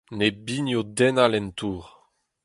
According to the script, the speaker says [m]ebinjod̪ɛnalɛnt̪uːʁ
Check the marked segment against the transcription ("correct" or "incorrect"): incorrect